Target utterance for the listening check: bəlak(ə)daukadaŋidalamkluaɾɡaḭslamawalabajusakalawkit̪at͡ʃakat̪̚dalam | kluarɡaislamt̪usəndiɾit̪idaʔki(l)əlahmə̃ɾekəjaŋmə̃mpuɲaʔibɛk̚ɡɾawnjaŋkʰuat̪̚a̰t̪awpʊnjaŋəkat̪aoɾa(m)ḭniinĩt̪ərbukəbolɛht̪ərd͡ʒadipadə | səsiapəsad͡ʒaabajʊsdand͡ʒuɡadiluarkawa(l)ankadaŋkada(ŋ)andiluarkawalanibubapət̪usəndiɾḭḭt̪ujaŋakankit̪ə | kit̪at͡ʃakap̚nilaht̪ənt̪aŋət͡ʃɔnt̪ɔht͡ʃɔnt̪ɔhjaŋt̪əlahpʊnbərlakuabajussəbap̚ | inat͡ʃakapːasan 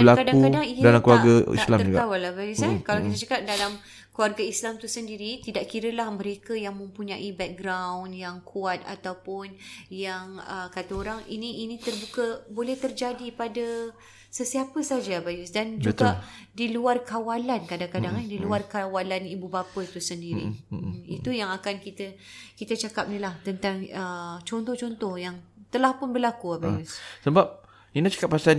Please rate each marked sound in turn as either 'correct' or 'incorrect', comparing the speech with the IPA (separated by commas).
incorrect, incorrect, incorrect, correct, correct